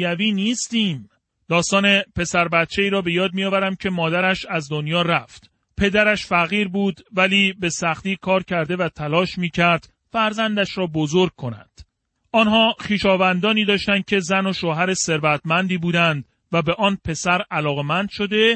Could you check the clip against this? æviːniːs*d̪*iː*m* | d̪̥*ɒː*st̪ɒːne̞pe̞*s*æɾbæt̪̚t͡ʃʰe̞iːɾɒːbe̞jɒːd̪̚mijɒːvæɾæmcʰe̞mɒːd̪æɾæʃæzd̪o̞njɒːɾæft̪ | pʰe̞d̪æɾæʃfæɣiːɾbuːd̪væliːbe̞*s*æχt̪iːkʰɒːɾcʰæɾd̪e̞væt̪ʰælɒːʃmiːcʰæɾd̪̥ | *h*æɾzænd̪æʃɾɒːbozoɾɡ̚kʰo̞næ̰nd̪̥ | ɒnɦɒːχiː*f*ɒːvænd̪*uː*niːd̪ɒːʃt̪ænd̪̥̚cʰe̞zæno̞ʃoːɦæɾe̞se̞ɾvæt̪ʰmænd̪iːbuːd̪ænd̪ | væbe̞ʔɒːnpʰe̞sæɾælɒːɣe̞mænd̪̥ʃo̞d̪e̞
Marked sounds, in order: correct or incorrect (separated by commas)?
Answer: incorrect, correct, correct, correct, correct, incorrect, incorrect, incorrect